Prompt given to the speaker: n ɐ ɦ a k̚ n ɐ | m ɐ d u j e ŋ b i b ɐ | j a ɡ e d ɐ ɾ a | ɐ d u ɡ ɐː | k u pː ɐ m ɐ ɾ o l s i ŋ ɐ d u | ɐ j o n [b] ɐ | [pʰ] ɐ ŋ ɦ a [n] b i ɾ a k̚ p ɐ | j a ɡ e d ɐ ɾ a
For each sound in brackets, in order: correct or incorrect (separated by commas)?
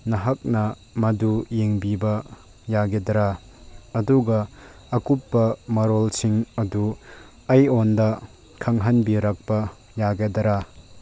incorrect, incorrect, correct